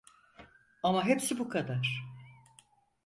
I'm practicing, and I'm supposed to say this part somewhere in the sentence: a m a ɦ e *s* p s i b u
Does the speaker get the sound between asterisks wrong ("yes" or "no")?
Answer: yes